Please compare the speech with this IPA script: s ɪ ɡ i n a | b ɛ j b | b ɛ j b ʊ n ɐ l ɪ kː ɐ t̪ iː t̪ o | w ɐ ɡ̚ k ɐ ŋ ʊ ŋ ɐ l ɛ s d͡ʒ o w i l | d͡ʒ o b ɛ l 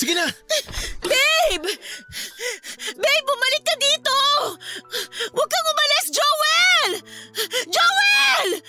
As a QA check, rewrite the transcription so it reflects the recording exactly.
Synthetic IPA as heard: s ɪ ɡ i n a | b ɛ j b | b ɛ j b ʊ m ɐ l ɪ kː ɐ d̪ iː t̪ o | w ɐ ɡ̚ k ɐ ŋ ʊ m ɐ l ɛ s d͡ʒ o w ɛ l | d͡ʒ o w ɛ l